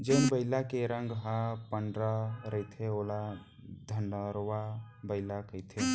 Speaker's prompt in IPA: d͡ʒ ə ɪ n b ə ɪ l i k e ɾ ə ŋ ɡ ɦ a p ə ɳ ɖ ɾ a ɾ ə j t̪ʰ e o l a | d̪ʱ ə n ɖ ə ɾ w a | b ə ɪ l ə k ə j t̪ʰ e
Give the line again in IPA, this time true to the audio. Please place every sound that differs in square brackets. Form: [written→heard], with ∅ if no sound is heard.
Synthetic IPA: d͡ʒ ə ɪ n b ə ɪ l [i→a] k e ɾ ə ŋ ɡ ɦ a p ə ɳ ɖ ɾ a ɾ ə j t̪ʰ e o l a | d̪ʱ ə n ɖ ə ɾ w a | b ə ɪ l [ə→a] k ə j t̪ʰ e